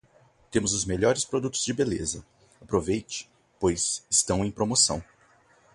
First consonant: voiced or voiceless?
voiceless